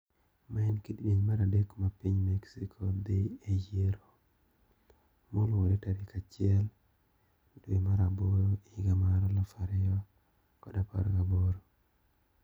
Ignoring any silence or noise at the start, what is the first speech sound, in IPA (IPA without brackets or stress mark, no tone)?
m